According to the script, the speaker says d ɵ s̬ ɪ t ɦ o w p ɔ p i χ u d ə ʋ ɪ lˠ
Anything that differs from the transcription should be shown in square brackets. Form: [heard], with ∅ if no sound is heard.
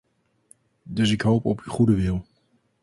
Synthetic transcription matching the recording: d ɵ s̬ ɪ [k] ɦ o w p ɔ p [y] χ u d ə ʋ ɪ lˠ